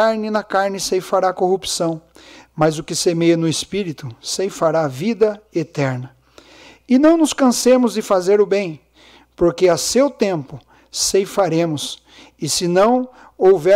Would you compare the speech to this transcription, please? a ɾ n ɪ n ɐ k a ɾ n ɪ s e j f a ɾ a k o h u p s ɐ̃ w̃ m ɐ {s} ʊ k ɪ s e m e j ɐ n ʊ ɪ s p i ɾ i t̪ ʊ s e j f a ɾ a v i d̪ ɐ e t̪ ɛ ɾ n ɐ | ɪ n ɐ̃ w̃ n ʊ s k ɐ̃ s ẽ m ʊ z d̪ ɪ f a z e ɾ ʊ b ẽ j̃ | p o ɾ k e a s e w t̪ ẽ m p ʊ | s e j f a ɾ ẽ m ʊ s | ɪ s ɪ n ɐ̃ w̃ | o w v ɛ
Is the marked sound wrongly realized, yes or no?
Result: yes